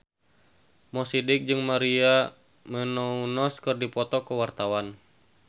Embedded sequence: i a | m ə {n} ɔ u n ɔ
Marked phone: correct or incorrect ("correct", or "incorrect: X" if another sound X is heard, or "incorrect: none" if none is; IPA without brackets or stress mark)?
correct